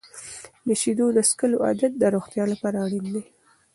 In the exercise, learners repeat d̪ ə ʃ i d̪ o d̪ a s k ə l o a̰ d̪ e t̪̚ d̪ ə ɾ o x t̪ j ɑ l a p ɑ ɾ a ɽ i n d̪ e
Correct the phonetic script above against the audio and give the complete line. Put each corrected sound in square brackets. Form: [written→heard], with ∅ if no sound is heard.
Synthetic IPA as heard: d̪ ə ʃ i d̪ o d̪ [a→ə] s k ə l o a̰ d̪ [e→a] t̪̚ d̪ ə ɾ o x t̪ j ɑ l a p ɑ ɾ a ɽ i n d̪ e